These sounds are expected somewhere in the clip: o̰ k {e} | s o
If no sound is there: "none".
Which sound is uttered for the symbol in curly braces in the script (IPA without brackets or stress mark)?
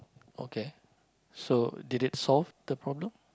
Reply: e